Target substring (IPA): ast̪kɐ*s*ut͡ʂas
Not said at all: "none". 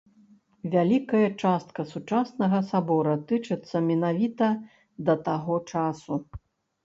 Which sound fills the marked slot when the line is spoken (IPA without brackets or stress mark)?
s